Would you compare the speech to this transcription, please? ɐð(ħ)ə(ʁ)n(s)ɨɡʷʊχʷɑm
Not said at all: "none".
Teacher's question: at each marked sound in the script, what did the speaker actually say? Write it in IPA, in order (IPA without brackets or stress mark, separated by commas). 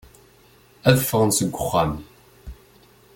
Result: f, ʁ, s